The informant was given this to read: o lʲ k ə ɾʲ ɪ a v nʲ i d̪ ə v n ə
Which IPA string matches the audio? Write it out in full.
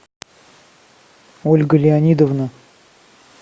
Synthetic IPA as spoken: o lʲ ɡ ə lʲ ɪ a nʲ i d̪ ə v n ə